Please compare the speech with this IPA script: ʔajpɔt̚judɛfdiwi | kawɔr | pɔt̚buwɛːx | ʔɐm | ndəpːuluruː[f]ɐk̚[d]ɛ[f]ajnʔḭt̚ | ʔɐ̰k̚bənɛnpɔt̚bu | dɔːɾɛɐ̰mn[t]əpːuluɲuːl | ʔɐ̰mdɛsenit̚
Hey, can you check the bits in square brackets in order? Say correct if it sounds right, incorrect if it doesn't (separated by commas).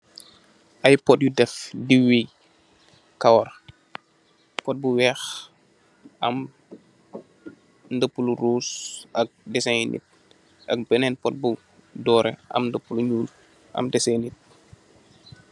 incorrect, correct, incorrect, incorrect